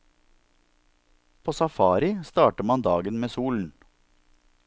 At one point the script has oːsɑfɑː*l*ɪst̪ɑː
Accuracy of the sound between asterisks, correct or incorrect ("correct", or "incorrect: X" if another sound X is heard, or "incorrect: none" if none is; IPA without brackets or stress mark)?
incorrect: ɾ